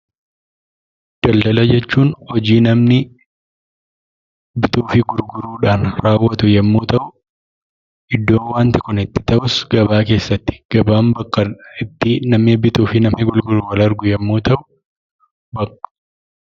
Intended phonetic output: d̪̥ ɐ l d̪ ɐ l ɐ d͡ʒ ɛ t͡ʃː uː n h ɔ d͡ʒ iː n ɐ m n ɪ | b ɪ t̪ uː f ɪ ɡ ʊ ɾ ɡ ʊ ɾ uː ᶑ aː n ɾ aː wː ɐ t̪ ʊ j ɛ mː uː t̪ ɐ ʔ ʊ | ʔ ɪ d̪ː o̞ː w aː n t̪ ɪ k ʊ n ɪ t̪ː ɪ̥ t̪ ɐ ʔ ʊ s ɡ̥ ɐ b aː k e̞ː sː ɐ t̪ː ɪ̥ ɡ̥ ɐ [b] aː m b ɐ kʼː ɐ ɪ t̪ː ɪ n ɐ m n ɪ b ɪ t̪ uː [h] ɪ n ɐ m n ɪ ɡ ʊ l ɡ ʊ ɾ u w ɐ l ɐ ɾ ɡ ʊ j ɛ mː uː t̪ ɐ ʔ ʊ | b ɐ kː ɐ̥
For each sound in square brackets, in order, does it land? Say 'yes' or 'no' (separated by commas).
yes, no